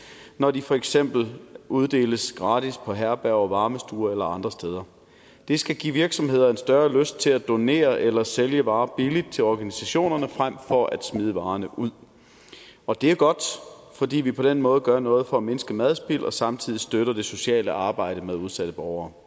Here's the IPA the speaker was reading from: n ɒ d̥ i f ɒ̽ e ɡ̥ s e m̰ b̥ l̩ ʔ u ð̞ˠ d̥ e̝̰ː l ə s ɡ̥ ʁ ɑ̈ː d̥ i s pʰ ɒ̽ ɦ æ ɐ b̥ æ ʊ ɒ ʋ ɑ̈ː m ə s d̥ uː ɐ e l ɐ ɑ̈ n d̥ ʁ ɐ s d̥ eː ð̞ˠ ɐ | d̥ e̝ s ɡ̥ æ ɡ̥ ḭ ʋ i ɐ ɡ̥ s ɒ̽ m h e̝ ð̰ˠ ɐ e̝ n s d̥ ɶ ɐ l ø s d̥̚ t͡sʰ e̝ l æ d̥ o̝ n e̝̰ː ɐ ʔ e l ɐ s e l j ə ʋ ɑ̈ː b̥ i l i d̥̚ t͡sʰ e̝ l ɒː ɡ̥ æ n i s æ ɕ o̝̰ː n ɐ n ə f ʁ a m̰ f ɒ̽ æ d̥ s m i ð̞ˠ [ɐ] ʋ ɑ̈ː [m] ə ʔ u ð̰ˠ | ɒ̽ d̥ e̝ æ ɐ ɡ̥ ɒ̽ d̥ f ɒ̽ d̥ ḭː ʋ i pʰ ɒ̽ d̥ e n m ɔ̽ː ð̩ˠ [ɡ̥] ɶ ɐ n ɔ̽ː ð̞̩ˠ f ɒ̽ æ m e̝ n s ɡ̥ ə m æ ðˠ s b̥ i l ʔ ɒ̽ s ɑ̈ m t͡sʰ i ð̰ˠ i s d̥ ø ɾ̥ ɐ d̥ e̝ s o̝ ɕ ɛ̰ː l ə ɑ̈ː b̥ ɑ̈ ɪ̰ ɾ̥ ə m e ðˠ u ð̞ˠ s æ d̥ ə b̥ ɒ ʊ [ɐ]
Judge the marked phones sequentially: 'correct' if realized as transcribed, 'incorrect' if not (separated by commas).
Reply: incorrect, incorrect, correct, incorrect